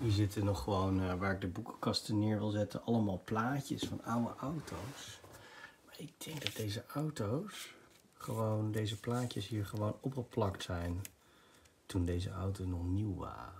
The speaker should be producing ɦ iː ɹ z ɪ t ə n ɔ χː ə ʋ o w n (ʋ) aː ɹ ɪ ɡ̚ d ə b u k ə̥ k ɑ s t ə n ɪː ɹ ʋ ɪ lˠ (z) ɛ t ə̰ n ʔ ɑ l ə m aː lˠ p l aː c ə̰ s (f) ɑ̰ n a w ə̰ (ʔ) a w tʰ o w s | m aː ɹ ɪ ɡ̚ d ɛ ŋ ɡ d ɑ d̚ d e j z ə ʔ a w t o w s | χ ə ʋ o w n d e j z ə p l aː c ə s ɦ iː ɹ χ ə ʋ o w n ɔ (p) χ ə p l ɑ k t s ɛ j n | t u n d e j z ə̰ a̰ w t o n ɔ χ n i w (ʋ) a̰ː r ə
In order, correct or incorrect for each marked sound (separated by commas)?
correct, correct, correct, correct, correct, correct